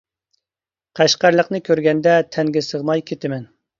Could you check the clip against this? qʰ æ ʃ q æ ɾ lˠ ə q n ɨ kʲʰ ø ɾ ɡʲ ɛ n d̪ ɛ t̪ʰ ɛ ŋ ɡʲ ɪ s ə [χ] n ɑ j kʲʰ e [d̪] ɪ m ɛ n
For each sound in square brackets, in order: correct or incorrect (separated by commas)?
incorrect, incorrect